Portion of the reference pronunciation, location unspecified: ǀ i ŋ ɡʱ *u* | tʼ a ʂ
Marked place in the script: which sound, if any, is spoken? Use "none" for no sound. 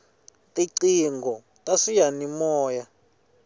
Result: ɔ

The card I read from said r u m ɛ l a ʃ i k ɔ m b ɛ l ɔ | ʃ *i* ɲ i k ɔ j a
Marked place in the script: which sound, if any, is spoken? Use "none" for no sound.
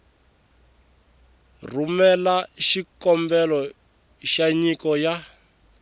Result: a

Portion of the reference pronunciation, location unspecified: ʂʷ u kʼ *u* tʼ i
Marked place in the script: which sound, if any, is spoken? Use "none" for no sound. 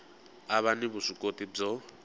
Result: o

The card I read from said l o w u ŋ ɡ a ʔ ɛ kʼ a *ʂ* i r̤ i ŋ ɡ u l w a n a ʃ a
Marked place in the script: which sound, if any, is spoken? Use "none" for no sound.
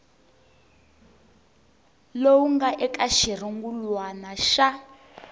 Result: ʃ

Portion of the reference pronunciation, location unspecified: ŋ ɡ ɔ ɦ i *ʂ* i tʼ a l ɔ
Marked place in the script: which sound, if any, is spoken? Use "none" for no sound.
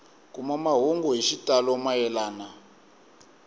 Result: ʃ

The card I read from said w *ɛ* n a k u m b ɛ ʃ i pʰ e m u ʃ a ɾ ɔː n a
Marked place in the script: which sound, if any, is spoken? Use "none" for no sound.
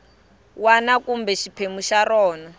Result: a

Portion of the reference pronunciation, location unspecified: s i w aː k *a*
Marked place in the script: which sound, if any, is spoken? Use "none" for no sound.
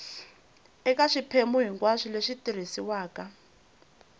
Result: a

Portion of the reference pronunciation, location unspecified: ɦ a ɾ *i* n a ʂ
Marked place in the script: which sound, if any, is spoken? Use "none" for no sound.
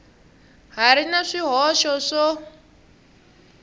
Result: i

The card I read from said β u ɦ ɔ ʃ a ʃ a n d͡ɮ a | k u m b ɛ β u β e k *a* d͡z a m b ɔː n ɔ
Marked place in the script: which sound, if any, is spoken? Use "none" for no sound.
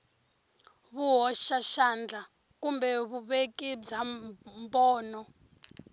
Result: i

